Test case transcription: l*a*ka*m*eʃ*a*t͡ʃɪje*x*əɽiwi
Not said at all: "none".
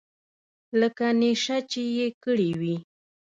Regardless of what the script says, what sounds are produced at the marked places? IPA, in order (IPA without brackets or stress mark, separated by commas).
ə, n, a, k